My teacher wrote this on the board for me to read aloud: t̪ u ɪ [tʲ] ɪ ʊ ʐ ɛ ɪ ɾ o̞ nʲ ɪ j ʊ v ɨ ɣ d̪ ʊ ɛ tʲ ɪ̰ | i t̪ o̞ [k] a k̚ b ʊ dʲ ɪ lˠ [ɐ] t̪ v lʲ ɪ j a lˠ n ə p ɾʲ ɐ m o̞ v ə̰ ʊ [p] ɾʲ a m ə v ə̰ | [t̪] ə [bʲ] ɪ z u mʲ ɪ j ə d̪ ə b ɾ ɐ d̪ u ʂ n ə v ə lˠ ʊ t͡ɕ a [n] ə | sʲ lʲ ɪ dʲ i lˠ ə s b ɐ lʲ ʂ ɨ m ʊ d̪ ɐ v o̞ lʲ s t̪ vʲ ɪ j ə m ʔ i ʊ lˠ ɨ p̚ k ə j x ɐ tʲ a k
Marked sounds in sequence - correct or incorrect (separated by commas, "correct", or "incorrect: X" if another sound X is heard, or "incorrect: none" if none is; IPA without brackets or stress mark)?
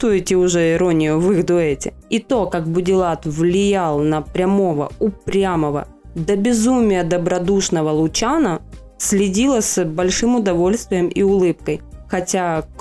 correct, correct, incorrect: a, correct, incorrect: d̪, correct, correct